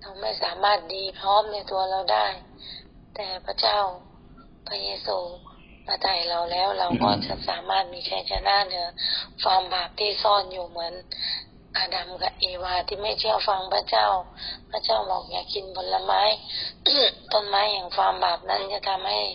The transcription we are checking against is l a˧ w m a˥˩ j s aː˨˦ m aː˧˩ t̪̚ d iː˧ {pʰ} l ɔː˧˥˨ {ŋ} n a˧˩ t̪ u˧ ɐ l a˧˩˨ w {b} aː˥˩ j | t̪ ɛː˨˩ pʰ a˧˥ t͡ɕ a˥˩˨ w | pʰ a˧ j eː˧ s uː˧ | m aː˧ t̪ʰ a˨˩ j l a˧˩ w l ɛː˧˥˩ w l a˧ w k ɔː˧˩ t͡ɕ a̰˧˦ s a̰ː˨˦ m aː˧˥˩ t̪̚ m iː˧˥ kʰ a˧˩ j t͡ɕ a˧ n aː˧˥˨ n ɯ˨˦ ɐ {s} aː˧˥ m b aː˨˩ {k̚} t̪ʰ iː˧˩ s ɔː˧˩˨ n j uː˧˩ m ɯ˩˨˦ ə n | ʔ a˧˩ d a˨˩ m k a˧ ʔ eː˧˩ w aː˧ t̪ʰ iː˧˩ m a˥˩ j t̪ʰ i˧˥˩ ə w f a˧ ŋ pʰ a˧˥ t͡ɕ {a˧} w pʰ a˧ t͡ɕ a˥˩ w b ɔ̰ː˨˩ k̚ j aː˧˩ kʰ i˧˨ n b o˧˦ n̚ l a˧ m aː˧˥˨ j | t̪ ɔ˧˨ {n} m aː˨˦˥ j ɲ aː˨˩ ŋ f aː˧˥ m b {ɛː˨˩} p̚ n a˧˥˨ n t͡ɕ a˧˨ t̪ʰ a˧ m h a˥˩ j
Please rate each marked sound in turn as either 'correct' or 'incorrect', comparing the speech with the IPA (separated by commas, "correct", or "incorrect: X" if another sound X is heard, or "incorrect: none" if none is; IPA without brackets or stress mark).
correct, incorrect: m, incorrect: d, incorrect: f, incorrect: p̚, incorrect: a˥˨, correct, incorrect: aː˨˩